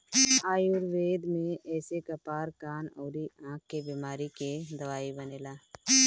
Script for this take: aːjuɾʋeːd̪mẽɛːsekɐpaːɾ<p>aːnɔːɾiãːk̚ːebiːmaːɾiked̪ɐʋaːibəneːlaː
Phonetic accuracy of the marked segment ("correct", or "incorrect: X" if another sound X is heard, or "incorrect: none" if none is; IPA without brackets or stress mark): incorrect: k